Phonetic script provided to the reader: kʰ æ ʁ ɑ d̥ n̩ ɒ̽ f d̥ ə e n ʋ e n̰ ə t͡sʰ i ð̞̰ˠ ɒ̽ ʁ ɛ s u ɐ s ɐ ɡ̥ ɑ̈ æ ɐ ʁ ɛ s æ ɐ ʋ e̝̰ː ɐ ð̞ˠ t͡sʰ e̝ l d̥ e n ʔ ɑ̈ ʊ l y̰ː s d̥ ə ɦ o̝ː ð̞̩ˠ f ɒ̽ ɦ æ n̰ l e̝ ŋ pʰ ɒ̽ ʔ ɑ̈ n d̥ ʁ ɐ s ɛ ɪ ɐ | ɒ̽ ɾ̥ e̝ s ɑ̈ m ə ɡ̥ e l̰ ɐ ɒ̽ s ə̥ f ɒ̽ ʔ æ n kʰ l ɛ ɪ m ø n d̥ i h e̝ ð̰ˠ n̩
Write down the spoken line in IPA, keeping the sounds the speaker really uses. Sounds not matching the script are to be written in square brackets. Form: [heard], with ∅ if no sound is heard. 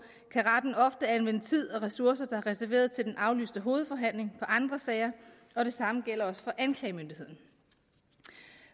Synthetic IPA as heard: kʰ æ ʁ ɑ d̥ n̩ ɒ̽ f d̥ ə [æ] n ʋ e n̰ ə t͡sʰ i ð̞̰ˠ ɒ̽ ʁ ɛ s u ɐ s ɐ [d̥] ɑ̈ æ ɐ ʁ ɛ s æ ɐ ʋ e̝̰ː ɐ ð̞ˠ t͡sʰ e̝ l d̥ e n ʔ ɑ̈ ʊ l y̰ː s d̥ ə ɦ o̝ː ð̞̩ˠ f ɒ̽ ɦ æ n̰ l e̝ ŋ pʰ ɒ̽ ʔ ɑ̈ n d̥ ʁ ɐ s ɛ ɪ ɐ | ɒ̽ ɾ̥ e̝ s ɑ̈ m ə ɡ̥ e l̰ ɐ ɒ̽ s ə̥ f ɒ̽ ʔ æ n kʰ l ɛ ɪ m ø n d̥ i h e̝ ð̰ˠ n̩

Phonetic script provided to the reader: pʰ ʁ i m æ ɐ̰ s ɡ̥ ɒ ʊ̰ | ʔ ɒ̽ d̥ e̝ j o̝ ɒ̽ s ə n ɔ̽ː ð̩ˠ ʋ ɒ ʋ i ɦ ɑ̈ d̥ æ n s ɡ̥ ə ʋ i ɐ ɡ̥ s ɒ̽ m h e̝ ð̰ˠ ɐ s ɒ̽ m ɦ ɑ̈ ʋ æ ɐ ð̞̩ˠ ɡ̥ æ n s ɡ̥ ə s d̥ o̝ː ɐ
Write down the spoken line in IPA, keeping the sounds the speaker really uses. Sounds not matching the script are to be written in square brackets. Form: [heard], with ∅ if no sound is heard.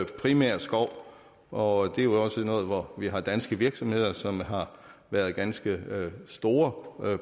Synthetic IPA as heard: pʰ ʁ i m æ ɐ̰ s ɡ̥ ɒ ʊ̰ | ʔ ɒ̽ d̥ e̝ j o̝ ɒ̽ s ə n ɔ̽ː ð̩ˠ ʋ ɒ ʋ i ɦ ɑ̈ d̥ æ n s ɡ̥ ə ʋ i ɐ ɡ̥ s ɒ̽ m h e̝ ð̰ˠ ɐ s ɒ̽ m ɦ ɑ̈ ʋ æ ɐ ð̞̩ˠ ɡ̥ æ n s ɡ̥ ə s d̥ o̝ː ɐ

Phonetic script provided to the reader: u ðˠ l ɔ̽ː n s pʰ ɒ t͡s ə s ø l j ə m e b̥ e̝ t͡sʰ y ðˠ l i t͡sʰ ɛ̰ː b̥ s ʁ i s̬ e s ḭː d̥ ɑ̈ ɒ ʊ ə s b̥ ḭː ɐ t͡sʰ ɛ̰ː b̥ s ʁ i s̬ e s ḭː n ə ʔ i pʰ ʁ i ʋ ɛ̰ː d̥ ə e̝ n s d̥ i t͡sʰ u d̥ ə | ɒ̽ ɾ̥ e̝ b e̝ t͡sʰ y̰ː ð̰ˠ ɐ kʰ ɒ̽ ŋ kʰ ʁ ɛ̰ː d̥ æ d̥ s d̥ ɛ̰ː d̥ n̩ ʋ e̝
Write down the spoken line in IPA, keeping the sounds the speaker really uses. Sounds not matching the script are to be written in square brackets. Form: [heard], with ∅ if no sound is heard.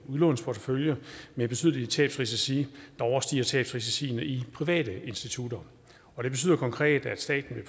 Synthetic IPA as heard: u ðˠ l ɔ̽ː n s pʰ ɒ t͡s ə [f] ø l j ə m e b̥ e̝ t͡sʰ y ðˠ l i t͡sʰ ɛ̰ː b̥ s ʁ i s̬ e s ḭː d̥ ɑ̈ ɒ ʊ [ɐ] s [d̥] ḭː ɐ t͡sʰ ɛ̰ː b̥ s ʁ i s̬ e s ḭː n ə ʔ i pʰ ʁ i ʋ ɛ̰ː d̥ ə e̝ n s d̥ i t͡sʰ u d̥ [ɐ] | ɒ̽ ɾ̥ e̝ b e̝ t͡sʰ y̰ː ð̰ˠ ɐ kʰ ɒ̽ ŋ kʰ ʁ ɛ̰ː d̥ æ d̥ s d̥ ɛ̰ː d̥ n̩ ʋ e̝

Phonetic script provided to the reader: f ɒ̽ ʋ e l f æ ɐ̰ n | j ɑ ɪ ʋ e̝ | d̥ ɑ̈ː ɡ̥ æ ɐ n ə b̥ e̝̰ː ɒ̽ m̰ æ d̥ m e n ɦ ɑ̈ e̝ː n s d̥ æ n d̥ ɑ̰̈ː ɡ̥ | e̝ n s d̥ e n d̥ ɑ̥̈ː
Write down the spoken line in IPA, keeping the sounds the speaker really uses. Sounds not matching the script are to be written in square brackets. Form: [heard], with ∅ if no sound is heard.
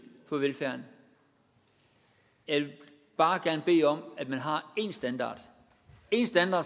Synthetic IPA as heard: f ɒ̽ ʋ e l f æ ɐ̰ n | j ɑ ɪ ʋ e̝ | [b̥] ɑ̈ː ɡ̥ æ ɐ n ə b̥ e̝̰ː ɒ̽ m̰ æ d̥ m [æ] n ɦ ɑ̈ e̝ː n s d̥ æ n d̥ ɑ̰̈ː [d̥] | e̝ n s d̥ [æ] n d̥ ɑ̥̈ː

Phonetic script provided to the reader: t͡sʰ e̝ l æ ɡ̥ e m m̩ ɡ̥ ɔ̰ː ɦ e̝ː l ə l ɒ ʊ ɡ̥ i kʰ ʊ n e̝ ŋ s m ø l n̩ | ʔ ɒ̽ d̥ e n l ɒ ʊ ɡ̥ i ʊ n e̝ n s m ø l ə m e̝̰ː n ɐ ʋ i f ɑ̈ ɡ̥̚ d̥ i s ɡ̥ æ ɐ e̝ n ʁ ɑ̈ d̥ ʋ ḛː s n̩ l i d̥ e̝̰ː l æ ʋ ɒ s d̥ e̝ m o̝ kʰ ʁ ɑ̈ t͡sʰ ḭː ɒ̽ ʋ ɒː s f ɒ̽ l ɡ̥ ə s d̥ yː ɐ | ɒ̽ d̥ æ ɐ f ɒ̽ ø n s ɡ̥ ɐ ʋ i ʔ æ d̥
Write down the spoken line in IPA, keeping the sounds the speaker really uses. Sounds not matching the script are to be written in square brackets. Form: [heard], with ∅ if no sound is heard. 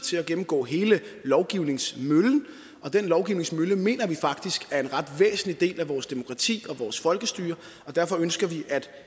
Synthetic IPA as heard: t͡sʰ e̝ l æ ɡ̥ e m m̩ ɡ̥ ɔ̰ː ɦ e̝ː l ə l ɒ ʊ ɡ̥ i [∅] ʊ n e̝ ŋ s m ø l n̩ | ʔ ɒ̽ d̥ e n l ɒ ʊ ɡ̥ i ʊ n e̝ [ŋ] s m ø l ə m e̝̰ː n ɐ ʋ i f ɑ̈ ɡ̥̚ d̥ i s ɡ̥ æ ɐ e̝ n ʁ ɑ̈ d̥ ʋ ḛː s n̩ l i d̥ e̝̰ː l æ ʋ [ɒː] s d̥ e̝ m o̝ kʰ ʁ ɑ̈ t͡sʰ ḭː ɒ̽ ʋ ɒː s f ɒ̽ l ɡ̥ ə s d̥ yː ɐ | ɒ̽ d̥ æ ɐ f ɒ̽ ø n s ɡ̥ ɐ ʋ i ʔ æ d̥

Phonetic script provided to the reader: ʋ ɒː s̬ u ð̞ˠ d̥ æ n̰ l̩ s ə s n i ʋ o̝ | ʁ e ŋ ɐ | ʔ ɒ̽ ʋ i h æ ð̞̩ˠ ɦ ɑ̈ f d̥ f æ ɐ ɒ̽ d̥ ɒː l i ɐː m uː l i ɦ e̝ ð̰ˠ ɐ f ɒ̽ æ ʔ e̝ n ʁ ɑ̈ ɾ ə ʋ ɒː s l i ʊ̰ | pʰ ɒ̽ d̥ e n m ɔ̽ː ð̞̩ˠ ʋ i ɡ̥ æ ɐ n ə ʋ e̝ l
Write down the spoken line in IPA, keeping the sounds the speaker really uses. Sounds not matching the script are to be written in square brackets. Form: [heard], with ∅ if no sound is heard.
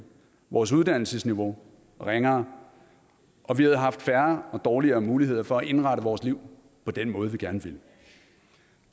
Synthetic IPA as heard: ʋ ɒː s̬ u ð̞ˠ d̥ æ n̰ l̩ s ə s n i ʋ o̝ | ʁ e ŋ ɐ | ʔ ɒ̽ ʋ i h æ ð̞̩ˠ ɦ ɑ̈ f d̥ f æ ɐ ɒ̽ d̥ ɒː l i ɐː m uː l i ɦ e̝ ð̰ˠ ɐ f ɒ̽ æ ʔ e̝ n ʁ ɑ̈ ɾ ə ʋ ɒː s l i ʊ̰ | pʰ ɒ̽ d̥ e n m ɔ̽ː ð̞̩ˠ ʋ i ɡ̥ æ ɐ n ə ʋ e̝ l

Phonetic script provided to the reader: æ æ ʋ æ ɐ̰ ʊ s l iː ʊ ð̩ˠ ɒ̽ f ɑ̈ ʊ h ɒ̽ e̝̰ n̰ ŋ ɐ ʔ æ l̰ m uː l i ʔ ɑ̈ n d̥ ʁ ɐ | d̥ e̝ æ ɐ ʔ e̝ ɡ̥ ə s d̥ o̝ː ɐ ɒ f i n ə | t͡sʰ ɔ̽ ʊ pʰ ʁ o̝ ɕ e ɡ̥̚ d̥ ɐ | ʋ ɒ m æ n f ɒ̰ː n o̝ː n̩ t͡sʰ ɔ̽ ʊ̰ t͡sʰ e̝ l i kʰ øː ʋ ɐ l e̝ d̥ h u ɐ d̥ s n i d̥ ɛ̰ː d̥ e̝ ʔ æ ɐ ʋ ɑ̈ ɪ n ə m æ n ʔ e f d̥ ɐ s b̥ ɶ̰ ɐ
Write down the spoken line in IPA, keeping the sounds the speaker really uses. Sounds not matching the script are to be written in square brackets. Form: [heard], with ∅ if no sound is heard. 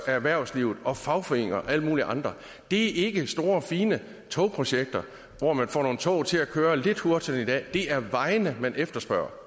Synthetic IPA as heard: æ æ ʋ æ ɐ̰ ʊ s l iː ʊ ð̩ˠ ɒ̽ f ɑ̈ ʊ [f] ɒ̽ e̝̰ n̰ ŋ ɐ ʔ æ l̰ m uː l i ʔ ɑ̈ n d̥ ʁ ɐ | d̥ e̝ æ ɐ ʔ e̝ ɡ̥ ə s d̥ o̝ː ɐ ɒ f [iː] n ə | t͡sʰ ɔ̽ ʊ pʰ ʁ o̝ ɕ e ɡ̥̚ d̥ ɐ | ʋ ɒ m æ n f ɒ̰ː n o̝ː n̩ t͡sʰ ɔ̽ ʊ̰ t͡sʰ e̝ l [æ] kʰ øː [∅] ɐ l e̝ d̥ h u ɐ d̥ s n i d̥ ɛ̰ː d̥ e̝ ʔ æ ɐ ʋ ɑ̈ ɪ n ə m æ n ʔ e f d̥ ɐ s b̥ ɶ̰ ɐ

